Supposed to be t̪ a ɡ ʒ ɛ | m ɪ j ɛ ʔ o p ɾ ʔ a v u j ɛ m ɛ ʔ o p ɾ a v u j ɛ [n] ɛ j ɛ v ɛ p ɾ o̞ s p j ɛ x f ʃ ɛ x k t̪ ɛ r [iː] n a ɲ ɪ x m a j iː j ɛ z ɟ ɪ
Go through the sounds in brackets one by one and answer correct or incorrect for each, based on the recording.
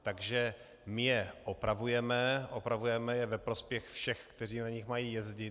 incorrect: m, correct

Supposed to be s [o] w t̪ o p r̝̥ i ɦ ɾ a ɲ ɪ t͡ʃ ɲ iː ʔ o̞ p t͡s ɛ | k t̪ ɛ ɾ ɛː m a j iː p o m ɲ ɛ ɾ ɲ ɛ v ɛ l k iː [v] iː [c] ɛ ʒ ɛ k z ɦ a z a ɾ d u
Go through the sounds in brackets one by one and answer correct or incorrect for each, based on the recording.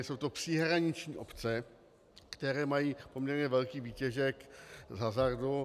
correct, correct, correct

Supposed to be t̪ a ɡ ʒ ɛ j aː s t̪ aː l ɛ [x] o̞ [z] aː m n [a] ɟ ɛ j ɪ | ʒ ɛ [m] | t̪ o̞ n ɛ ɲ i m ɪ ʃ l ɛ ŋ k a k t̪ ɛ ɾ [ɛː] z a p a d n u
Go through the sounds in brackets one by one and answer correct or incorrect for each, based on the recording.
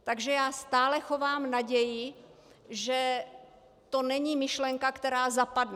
correct, incorrect: v, correct, incorrect: none, incorrect: aː

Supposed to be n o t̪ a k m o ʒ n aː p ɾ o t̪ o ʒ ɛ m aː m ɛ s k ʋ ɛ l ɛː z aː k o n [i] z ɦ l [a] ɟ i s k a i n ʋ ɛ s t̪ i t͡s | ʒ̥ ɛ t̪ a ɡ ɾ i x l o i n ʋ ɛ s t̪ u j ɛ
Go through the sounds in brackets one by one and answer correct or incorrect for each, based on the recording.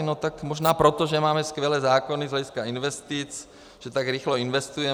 correct, incorrect: ɛ

